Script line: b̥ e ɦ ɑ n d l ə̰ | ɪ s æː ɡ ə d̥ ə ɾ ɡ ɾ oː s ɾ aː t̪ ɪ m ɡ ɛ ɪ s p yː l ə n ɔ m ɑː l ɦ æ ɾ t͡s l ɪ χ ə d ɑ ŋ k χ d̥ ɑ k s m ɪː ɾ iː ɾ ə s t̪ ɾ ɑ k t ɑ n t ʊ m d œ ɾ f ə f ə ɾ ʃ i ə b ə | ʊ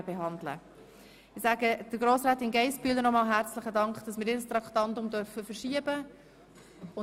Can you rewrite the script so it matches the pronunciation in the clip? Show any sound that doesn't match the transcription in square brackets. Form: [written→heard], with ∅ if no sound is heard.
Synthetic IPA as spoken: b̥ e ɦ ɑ n d l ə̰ | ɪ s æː ɡ ə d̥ ə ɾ ɡ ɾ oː s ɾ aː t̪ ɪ [m→n] ɡ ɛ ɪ s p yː l ə n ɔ m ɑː l ɦ æ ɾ t͡s l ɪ χ ə d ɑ ŋ k χ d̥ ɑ [k→∅] s m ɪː ɾ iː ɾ ə s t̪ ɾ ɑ k t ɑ n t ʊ m d œ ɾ f ə f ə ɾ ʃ i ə b ə | ʊ